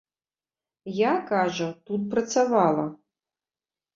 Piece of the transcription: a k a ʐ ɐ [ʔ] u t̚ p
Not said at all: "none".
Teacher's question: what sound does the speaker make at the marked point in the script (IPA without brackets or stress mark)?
t